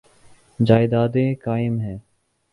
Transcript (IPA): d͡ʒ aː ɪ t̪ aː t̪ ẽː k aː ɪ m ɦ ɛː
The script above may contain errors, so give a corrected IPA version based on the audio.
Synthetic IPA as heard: d͡ʒ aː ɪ d̪ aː d̪ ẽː k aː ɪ m ɦ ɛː